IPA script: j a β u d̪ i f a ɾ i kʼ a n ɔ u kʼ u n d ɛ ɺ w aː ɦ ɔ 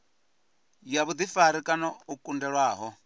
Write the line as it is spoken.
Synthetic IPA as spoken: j a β u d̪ i f a ɾ i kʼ a n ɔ u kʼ u n d ɛ ɺ w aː ɦ ɔ